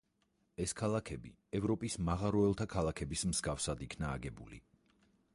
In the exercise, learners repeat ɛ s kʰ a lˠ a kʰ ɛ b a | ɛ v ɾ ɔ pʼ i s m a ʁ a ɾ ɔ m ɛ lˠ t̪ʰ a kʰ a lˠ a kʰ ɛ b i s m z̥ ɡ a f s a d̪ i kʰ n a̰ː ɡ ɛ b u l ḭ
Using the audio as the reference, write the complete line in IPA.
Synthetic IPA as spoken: ɛ s kʰ a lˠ a kʰ ɛ b i | ɛ v ɾ ɔ pʼ i s m a ʁ a ɾ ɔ ɛ lˠ t̪ʰ a kʰ a lˠ a kʰ ɛ b i s m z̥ ɡ a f s a d̪ i kʰ n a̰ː ɡ ɛ b u l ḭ